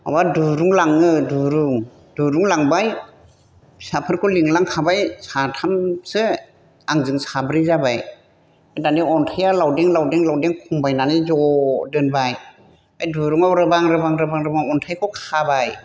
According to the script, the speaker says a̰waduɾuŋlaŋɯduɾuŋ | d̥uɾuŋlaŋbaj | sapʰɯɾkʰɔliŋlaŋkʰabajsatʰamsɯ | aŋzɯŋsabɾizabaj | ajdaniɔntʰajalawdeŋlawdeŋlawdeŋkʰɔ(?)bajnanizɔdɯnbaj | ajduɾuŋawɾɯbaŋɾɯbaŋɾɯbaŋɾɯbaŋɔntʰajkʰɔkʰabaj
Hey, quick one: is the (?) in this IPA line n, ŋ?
ŋ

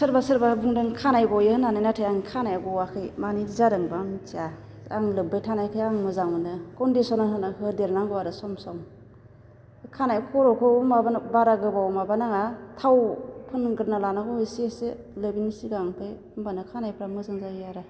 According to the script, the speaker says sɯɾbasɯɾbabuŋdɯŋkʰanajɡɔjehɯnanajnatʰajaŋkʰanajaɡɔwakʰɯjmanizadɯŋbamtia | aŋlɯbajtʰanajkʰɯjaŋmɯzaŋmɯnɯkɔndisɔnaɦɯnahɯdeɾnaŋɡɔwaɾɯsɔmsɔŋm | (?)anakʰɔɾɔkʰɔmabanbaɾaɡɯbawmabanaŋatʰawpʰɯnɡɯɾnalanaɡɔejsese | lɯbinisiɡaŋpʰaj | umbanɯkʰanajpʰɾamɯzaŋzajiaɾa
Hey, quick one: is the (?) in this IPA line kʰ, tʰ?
kʰ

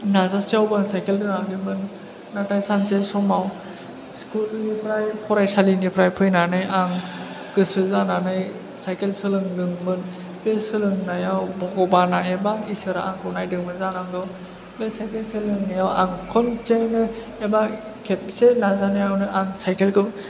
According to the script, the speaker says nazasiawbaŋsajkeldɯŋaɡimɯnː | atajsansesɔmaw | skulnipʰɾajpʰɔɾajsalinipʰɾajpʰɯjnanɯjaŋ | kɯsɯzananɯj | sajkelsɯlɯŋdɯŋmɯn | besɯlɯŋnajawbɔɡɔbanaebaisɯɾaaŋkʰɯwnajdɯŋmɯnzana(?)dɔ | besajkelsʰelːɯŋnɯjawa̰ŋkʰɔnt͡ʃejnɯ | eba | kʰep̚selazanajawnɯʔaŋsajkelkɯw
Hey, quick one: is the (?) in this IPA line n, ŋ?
ŋ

